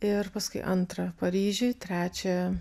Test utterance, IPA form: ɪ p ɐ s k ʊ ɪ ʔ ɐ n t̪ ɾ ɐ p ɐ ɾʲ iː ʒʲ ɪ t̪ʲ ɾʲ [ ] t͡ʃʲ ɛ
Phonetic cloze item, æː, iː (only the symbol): æː